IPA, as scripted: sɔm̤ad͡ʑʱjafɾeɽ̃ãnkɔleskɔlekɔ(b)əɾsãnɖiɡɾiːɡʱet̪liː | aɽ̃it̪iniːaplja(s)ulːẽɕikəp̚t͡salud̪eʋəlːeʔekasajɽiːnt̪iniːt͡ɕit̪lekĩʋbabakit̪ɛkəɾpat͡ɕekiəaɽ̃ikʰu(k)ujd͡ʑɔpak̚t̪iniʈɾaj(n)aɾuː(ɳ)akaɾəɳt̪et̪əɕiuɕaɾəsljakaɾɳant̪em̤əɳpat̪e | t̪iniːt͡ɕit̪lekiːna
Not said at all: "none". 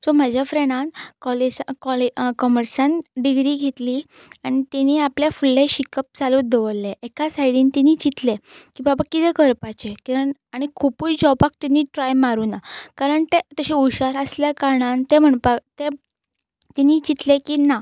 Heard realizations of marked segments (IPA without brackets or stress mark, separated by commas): m, f, p, m, n